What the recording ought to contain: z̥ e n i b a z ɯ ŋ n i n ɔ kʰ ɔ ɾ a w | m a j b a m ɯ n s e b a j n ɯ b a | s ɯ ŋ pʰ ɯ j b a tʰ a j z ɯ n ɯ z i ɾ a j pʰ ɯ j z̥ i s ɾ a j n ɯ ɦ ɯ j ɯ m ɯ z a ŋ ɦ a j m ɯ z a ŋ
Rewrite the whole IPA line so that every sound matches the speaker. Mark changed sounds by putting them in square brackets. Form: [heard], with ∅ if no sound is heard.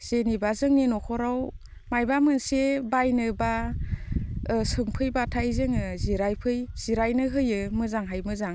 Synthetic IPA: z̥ e n i b a z ɯ ŋ n i n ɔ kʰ ɔ ɾ a w | m a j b a m ɯ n s e b a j n ɯ b a | s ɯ ŋ pʰ ɯ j b a tʰ a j z ɯ [ŋ] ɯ z i ɾ a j pʰ ɯ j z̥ i [∅] ɾ a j n ɯ ɦ ɯ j ɯ m ɯ z a ŋ ɦ a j m ɯ z a ŋ